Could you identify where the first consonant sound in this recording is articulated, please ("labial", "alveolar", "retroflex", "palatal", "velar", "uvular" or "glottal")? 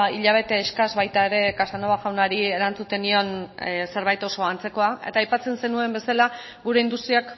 palatal